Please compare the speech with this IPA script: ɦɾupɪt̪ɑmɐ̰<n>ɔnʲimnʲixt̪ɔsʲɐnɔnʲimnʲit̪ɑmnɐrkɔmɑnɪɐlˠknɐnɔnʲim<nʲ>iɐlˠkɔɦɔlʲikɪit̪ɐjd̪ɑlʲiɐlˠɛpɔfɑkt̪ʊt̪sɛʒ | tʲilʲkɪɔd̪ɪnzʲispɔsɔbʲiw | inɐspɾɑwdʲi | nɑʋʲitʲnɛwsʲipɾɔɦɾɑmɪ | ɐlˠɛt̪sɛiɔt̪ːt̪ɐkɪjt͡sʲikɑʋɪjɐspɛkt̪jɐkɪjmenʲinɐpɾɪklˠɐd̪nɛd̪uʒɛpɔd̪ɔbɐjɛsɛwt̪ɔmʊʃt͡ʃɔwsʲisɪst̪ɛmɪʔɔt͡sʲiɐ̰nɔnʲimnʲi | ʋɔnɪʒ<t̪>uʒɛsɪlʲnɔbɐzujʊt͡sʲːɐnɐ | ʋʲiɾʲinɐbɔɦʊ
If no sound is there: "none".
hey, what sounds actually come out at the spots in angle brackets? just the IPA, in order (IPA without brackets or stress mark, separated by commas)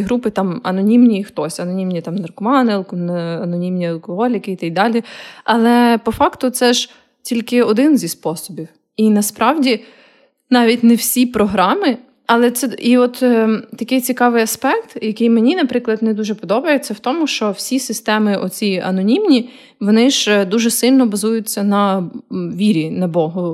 n, nʲ, d̪